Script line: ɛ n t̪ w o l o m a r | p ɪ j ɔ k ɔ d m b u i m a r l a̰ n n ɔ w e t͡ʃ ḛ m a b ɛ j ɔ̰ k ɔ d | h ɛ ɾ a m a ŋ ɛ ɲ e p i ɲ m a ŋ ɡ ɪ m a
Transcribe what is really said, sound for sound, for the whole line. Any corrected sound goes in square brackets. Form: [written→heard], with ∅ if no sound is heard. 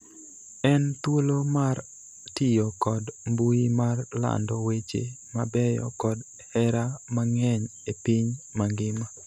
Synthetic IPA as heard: ɛ n t̪ w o l o m a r | [p→t] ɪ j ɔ k ɔ d m b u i m a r l a̰ n [n→d] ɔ w e t͡ʃ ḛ m a b ɛ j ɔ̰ k ɔ d | h ɛ ɾ a m a ŋ ɛ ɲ e p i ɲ m a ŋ ɡ ɪ m a